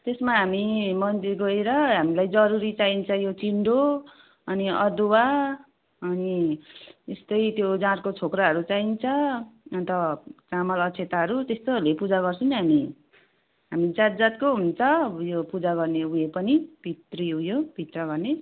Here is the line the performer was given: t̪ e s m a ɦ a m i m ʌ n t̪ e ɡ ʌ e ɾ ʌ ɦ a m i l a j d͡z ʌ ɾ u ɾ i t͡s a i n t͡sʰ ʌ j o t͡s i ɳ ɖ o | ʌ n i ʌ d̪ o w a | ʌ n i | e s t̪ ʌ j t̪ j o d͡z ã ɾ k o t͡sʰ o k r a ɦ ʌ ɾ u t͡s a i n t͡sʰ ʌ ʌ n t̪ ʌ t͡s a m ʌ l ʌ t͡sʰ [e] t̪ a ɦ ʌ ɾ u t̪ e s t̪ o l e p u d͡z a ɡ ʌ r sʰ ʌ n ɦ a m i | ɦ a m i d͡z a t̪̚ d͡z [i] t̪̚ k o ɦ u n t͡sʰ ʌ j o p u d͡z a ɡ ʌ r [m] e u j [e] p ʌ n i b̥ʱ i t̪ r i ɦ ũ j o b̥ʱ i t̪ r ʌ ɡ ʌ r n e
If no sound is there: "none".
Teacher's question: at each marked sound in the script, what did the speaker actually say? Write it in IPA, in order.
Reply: e, a, n, e

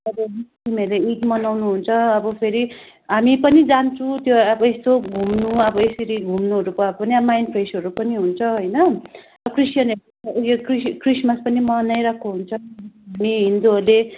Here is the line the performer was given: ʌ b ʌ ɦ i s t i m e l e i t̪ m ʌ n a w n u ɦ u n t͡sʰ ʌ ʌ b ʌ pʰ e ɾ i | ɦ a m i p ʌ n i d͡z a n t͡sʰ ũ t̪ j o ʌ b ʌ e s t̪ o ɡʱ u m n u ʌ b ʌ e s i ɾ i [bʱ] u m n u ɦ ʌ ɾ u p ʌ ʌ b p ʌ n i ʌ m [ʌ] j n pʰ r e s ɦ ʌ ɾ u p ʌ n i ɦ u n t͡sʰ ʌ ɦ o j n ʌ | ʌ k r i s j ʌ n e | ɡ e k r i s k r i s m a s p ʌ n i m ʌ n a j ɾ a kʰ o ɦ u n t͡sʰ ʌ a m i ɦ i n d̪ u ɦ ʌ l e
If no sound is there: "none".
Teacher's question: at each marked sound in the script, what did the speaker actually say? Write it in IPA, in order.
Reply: ɡʱ, a

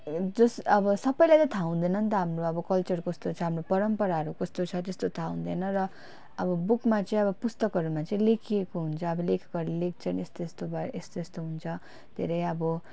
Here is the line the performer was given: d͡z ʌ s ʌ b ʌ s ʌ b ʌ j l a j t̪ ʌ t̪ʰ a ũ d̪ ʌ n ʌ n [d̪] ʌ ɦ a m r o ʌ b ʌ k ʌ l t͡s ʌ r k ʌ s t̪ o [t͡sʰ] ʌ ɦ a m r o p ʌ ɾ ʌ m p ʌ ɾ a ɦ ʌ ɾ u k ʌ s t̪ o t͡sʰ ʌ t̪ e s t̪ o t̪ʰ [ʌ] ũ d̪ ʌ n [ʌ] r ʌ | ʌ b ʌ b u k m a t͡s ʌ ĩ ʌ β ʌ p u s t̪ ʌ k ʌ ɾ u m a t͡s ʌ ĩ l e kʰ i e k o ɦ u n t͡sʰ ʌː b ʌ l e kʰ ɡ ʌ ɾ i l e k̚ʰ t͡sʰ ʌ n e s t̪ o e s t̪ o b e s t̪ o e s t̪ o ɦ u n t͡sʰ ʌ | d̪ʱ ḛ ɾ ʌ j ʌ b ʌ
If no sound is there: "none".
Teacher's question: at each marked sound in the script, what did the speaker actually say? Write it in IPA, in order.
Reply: t̪, t͡sʰ, a, ʌ

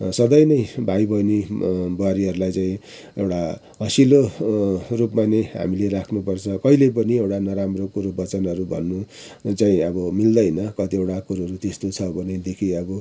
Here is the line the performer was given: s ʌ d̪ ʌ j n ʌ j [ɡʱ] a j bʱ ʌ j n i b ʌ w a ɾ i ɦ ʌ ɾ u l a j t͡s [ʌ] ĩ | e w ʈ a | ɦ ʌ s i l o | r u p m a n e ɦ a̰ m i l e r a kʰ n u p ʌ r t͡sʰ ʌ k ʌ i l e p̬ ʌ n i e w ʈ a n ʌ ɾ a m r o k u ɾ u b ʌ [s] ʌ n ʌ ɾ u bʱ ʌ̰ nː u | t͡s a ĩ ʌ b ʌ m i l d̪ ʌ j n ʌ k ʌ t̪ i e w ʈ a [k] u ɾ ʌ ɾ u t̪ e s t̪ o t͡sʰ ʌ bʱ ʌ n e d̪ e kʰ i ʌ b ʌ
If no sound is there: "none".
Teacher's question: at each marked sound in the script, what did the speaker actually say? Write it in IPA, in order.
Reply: bʱ, a, t͡s, k

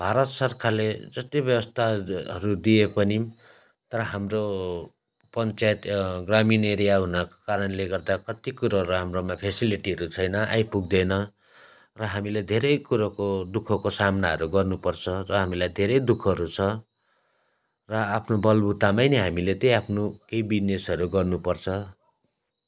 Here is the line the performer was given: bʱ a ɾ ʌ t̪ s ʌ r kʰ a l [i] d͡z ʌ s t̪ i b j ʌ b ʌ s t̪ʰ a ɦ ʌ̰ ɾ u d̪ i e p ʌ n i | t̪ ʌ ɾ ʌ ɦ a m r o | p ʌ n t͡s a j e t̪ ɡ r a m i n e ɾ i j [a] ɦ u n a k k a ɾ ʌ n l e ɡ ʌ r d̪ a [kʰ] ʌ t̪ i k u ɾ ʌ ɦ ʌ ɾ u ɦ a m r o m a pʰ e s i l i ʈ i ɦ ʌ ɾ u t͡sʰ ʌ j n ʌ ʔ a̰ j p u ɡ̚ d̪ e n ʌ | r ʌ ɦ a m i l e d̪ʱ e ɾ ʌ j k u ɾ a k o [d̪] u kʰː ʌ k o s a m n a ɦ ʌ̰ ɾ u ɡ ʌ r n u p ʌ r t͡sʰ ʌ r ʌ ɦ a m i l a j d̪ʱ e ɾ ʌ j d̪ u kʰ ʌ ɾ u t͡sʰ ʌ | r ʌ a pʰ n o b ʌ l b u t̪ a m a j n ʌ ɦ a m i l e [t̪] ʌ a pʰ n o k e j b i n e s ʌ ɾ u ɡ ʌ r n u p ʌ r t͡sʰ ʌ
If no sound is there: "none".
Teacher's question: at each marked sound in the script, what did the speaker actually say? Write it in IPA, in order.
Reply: e, a, k, d̪, t̪

